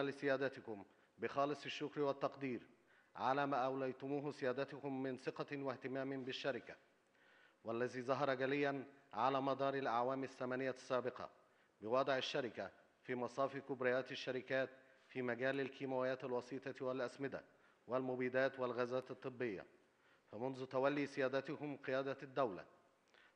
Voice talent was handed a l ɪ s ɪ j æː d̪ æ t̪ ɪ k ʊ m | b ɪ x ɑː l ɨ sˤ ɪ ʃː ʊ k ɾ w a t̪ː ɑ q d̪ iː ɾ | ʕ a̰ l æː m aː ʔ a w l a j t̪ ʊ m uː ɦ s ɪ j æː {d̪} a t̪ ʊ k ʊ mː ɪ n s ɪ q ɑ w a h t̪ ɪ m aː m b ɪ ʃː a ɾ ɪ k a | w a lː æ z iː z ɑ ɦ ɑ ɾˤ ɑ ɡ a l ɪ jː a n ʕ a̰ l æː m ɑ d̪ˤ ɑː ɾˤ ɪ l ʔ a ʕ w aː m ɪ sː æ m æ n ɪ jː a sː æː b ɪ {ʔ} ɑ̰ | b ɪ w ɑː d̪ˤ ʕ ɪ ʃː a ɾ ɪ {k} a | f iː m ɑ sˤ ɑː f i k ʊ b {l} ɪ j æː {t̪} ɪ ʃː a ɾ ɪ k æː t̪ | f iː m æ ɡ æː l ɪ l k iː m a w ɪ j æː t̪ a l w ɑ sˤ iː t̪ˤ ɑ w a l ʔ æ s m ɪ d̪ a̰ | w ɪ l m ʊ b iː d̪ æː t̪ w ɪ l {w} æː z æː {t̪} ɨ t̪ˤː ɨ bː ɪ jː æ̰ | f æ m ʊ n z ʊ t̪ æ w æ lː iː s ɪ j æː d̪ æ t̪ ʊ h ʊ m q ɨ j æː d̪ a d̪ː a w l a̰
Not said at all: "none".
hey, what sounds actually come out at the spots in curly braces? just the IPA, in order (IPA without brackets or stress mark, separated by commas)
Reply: d̪, q, k, ɾ, t̪, ɣ, t̪